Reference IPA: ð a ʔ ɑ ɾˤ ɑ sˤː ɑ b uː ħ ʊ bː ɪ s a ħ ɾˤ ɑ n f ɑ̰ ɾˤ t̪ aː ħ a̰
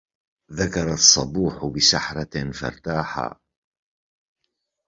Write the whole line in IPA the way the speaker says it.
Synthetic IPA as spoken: ð a k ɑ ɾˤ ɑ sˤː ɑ b uː ħ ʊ b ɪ s a ħ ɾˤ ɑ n f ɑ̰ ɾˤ t̪ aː ħ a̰